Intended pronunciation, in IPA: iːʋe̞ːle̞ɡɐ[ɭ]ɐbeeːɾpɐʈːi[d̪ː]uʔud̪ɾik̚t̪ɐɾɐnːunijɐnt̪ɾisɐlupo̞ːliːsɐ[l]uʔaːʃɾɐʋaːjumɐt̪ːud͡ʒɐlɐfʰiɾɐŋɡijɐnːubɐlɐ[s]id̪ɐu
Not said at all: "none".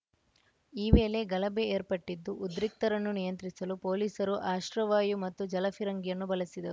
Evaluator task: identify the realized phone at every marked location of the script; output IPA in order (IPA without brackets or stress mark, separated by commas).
l, d̪ː, ɾ, s